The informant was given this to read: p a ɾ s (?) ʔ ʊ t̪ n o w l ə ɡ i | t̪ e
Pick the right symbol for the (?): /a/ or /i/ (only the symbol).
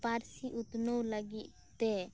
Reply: i